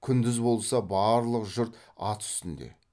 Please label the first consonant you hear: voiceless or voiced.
voiceless